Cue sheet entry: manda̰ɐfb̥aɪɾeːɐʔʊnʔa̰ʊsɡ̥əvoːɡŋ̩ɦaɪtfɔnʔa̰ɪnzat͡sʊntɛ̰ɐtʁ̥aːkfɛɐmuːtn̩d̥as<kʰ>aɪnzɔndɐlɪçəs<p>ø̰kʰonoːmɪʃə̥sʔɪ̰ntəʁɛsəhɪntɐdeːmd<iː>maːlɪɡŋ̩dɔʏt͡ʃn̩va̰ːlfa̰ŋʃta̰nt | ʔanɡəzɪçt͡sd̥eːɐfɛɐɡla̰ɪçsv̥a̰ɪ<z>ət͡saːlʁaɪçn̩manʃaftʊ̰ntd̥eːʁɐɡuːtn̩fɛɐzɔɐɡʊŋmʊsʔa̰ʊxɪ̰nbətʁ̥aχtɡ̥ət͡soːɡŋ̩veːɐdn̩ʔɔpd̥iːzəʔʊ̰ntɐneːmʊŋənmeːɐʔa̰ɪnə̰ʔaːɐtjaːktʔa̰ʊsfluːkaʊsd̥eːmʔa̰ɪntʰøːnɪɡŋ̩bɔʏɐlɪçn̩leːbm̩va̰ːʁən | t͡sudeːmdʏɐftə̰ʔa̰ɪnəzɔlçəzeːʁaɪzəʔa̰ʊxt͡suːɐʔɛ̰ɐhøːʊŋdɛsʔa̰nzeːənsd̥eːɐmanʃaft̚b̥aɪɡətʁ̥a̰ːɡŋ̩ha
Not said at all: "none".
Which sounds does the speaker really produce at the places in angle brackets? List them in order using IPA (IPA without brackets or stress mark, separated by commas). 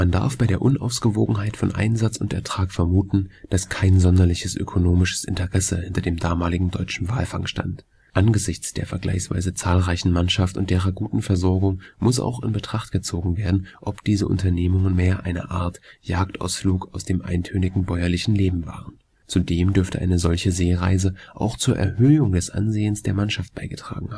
kʰ, ʔ, aː, z